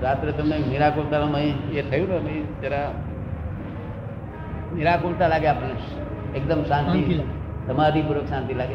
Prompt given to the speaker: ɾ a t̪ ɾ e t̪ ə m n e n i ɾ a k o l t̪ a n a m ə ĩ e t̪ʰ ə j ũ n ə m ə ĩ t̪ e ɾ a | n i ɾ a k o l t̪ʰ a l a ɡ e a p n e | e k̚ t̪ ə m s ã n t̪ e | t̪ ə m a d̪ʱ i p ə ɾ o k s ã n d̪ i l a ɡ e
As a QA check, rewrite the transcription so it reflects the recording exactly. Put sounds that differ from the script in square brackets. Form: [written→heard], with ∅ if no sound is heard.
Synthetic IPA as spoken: ɾ a t̪ ɾ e t̪ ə m n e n i ɾ a k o l t̪ a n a m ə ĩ e t̪ʰ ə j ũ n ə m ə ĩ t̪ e ɾ a | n i ɾ a k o l [t̪ʰ→t̪] a l a ɡ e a p n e | e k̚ [t̪→d̪] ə m s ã n t̪ [e→i] | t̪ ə m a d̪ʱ i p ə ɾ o k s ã n [d̪→t̪] i l a ɡ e